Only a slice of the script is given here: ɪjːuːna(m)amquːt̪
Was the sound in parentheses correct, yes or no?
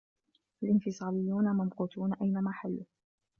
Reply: yes